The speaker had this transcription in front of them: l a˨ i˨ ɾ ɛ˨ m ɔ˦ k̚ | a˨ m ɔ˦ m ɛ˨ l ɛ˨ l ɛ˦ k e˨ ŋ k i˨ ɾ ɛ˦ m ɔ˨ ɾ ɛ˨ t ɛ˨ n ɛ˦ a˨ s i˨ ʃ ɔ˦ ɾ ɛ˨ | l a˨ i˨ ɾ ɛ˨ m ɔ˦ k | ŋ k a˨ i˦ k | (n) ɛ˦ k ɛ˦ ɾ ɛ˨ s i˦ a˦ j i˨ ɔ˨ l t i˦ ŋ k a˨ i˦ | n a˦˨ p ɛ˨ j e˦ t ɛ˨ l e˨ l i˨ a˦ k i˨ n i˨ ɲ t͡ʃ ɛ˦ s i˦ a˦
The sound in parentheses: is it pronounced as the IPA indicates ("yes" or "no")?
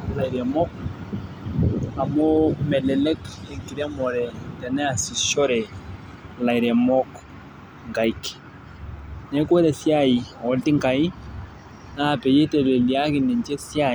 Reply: yes